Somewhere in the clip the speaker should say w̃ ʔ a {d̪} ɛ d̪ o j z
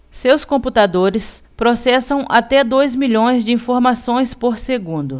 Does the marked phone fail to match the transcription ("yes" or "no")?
yes